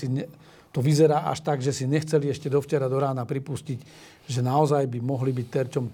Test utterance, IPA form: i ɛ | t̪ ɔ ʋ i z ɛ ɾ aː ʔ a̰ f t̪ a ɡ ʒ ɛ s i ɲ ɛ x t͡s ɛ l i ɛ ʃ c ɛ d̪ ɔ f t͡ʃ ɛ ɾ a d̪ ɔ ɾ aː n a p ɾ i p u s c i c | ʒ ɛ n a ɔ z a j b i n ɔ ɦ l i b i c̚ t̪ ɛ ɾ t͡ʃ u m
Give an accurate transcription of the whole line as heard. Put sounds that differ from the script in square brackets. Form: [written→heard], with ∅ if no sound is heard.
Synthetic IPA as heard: i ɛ | t̪ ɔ ʋ i z ɛ ɾ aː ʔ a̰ [f→ʃ] t̪ a ɡ ʒ ɛ s i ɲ ɛ x t͡s ɛ l i ɛ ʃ c ɛ d̪ ɔ f t͡ʃ ɛ ɾ a d̪ ɔ ɾ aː n a p ɾ i p u s c i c | ʒ ɛ n a ɔ z a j b i [n→m] ɔ ɦ l i b i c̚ t̪ ɛ ɾ t͡ʃ [u→ɔ] m